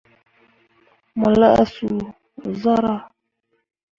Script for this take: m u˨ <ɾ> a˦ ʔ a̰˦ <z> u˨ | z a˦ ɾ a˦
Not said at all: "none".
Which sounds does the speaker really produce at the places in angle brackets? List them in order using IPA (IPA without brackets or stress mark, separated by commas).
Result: l, s